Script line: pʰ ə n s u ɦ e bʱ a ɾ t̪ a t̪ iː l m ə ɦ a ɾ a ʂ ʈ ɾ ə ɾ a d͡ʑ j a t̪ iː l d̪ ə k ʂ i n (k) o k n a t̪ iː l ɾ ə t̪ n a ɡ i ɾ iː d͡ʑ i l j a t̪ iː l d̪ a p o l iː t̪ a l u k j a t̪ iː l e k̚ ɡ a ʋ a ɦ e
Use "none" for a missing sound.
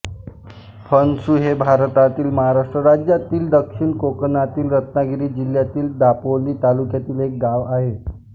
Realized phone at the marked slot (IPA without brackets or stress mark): k